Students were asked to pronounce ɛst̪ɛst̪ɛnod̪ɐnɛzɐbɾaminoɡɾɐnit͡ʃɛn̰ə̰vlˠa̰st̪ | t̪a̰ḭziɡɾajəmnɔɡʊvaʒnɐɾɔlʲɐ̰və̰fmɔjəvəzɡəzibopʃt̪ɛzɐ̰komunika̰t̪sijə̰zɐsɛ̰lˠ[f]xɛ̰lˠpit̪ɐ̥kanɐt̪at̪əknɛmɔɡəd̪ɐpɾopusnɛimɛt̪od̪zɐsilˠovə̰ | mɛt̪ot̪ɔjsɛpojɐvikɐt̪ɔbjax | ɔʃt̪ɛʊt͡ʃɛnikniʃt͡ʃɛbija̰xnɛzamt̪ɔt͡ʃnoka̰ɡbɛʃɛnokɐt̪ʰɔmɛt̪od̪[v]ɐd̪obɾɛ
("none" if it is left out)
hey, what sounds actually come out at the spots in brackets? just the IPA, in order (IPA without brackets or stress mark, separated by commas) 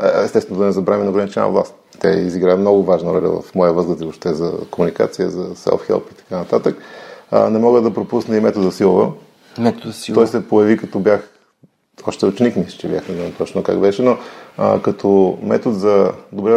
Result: f, z